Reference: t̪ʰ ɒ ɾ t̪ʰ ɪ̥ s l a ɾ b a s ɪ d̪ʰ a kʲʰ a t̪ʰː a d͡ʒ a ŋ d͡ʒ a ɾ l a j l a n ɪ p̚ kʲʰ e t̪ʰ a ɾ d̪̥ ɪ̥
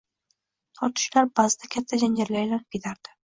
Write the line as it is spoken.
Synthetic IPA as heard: t̪ʰ ɒ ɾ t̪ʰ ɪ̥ ʃ l a ɾ b a z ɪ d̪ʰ a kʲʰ a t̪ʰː a d͡ʒ a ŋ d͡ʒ a ɾ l a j l a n ɪ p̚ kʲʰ e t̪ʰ a ɾ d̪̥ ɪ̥